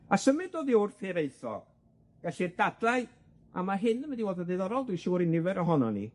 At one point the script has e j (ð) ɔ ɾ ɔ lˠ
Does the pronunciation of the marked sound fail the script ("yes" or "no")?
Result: no